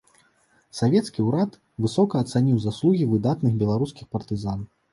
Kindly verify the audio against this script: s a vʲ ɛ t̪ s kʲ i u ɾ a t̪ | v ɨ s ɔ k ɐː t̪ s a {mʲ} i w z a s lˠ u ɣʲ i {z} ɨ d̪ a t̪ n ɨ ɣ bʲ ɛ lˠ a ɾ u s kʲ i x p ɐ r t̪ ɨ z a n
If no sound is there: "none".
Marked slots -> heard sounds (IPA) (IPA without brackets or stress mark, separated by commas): nʲ, v